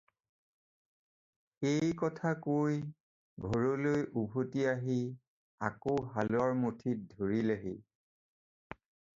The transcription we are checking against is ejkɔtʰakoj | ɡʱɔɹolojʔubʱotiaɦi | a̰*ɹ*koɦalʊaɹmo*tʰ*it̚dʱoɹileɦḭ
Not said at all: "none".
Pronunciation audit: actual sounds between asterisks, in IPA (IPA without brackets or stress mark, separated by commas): none, tʰ